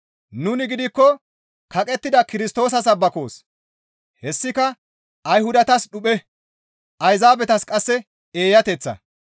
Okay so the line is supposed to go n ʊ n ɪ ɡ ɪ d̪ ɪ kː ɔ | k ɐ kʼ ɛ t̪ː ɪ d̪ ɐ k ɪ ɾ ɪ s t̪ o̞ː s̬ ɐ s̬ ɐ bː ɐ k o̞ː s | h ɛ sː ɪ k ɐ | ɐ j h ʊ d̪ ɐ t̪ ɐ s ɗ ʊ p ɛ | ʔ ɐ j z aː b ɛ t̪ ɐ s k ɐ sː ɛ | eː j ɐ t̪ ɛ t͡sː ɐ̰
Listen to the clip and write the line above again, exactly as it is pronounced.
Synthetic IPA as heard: n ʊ n ɪ ɡ ɪ d̪ ɪ kː ɔ | k ɐ kʼ ɛ t̪ː ɪ d̪ ɐ k ɪ ɾ ɪ s t̪ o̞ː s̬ ɐ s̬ ɐ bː ɐ k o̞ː s | h ɛ sː ɪ k ɐ | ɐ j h ʊ d̪ ɐ t̪ ɐ s ɗ ʊ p ɛ | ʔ ɐ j z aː b ɛ t̪ ɐ s kʼ ɐ sː ɛ | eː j ɐ t̪ ɛ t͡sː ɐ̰